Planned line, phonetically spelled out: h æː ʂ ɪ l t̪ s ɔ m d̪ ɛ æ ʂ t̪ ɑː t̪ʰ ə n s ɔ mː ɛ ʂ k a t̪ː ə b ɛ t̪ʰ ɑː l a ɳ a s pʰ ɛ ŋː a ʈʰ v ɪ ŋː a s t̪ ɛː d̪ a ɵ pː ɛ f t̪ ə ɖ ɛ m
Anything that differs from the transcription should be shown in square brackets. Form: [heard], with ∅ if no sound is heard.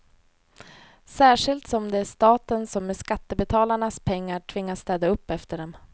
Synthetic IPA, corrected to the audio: [s] æː ʂ ɪ l t̪ s ɔ m d̪ ɛ æ ʂ t̪ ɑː [t̪] ə n s ɔ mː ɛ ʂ k a t̪ː ə b ɛ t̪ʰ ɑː l a ɳ a s pʰ ɛ ŋː a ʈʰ v ɪ ŋː a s t̪ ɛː d̪ a ɵ pː ɛ f t̪ ə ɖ ɛ m